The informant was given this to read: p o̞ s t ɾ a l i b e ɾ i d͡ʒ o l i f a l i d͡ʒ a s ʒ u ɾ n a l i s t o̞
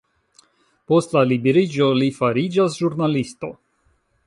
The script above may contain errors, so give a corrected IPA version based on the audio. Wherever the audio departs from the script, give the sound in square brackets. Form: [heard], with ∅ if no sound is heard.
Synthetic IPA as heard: p o̞ s t [l] a l i b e ɾ i d͡ʒ o l i f a [ɾ] i d͡ʒ a s ʒ u ɾ n a l i s t o̞